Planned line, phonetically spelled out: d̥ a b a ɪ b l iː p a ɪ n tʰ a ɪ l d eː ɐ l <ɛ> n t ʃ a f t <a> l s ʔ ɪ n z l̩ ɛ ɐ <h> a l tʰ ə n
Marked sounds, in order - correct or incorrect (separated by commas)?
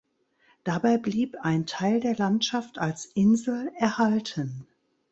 incorrect, correct, correct